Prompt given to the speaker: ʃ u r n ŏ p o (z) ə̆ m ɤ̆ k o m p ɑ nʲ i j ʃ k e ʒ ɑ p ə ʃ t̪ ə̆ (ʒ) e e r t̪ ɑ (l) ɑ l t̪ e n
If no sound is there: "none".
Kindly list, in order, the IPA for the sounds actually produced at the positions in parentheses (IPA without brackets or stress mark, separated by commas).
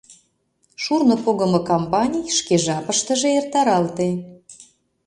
ɣ, ʒ, ɾ